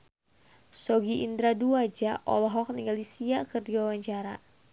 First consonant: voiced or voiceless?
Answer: voiceless